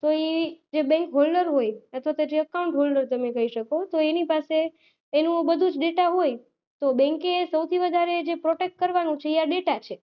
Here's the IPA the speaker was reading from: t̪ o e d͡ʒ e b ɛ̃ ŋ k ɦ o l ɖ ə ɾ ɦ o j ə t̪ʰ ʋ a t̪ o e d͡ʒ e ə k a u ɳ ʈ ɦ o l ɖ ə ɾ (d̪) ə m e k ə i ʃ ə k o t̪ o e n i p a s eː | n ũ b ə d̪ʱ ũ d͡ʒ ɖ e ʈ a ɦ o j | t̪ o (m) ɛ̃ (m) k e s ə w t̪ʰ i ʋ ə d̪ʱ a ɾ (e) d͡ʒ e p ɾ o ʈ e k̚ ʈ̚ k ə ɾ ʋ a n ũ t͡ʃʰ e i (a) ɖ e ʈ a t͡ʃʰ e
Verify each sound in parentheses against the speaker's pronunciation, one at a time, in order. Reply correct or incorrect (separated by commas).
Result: incorrect, incorrect, incorrect, correct, correct